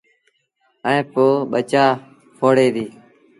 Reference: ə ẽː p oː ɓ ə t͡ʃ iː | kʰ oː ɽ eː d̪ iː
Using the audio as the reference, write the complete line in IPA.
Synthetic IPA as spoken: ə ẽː p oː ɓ ə t͡ʃ aː | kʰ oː ɽ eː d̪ iː